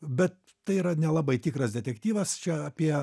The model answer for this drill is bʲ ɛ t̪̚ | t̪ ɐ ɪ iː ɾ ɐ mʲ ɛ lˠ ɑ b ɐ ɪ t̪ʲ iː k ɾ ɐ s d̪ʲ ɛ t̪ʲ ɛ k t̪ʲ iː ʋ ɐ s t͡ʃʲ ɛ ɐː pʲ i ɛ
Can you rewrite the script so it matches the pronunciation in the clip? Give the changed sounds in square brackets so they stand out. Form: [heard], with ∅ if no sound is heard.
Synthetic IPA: bʲ ɛ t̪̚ | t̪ ɐ ɪ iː ɾ ɐ [nʲ] ɛ lˠ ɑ b ɐ ɪ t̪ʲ iː k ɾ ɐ s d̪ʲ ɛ t̪ʲ ɛ k t̪ʲ iː ʋ ɐ s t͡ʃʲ ɛ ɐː pʲ i ɛ